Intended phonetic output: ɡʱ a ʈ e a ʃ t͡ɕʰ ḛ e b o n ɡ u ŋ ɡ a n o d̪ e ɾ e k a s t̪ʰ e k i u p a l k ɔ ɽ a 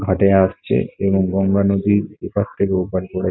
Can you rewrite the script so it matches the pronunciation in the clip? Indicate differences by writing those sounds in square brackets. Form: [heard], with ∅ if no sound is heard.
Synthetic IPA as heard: ɡʱ a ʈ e a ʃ t͡ɕʰ ḛ e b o [ŋ] ɡ [ɔ] ŋ ɡ a n o d̪ [i] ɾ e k a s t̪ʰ e k [e] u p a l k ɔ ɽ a